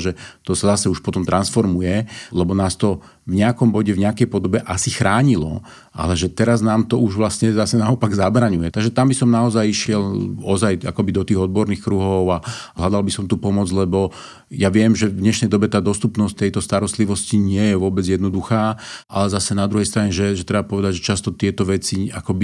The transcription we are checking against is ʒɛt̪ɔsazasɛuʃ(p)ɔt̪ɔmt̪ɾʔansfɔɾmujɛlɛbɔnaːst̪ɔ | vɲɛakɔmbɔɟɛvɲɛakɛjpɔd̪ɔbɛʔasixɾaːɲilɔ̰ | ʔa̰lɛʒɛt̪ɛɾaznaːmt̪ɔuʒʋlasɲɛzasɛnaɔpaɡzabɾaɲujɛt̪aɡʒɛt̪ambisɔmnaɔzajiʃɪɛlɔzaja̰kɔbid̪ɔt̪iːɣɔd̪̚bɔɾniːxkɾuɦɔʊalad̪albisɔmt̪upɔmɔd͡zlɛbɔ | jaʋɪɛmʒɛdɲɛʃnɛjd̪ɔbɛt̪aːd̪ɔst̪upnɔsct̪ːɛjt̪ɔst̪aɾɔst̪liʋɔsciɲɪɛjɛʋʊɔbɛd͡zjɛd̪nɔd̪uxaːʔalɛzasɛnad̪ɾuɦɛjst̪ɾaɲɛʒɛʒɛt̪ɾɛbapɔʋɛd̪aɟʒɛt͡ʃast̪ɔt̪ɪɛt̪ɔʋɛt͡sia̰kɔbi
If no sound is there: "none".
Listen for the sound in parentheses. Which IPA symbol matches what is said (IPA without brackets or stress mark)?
p